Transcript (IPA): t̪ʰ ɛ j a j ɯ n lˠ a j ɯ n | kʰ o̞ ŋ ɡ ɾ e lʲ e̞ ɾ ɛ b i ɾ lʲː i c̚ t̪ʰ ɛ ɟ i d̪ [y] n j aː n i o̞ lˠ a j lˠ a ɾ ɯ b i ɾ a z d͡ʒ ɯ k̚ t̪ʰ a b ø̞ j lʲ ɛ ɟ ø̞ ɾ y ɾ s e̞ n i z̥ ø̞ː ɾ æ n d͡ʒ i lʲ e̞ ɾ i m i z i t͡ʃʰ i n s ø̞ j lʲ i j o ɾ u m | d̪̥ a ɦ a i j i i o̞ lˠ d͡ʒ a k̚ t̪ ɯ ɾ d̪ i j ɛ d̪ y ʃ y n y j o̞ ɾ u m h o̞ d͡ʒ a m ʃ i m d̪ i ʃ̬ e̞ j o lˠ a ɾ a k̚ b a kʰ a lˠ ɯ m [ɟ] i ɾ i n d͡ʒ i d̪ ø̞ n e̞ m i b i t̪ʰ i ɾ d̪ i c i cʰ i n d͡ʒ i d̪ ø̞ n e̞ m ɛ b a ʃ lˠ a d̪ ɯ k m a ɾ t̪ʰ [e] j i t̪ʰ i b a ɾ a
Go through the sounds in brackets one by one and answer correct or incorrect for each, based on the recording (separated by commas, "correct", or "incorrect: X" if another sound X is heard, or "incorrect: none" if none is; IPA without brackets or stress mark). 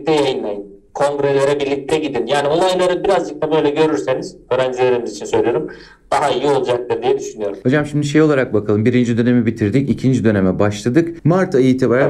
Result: incorrect: i, incorrect: b, incorrect: a